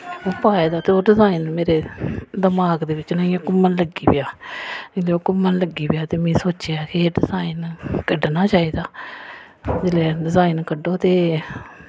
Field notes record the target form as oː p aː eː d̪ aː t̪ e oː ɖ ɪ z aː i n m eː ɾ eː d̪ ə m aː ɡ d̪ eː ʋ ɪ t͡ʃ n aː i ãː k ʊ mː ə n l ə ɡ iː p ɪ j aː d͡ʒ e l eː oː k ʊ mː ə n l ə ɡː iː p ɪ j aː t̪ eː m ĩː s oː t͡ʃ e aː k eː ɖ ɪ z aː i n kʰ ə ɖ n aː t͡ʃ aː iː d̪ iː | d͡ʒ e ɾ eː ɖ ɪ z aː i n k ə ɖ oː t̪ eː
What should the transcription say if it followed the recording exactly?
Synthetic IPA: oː p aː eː d̪ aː t̪ e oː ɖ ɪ z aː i n m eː ɾ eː d̪ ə m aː ɡ d̪ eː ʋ ɪ t͡ʃ n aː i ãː k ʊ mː ə n l ə ɡ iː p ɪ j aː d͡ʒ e l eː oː k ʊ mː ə n l ə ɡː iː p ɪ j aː t̪ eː m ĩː s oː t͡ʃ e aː k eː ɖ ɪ z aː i n k ə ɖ n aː t͡ʃ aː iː d̪ aː | d͡ʒ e l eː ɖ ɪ z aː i n k ə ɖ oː t̪ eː